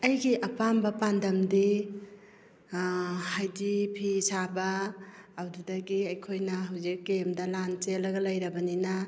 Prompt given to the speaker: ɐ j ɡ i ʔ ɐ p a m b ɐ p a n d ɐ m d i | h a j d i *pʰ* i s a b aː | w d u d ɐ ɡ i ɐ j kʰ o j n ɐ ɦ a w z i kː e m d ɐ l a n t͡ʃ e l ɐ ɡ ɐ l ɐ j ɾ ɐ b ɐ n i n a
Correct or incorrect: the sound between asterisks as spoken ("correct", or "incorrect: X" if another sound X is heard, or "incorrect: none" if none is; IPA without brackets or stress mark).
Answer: correct